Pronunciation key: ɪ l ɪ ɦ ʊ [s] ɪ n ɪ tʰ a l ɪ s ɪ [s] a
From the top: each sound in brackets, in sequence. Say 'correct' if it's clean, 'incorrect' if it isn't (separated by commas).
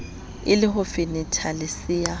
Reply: incorrect, incorrect